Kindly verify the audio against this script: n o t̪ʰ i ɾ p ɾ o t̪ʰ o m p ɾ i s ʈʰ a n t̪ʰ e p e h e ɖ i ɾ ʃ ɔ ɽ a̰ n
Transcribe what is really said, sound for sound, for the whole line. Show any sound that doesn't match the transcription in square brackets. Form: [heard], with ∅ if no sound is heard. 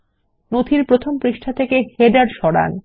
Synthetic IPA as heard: n o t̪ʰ i ɾ p ɾ o t̪ʰ o m p ɾ i [ʃ] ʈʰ a [∅] t̪ʰ e [k] e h e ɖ [a] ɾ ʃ ɔ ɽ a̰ n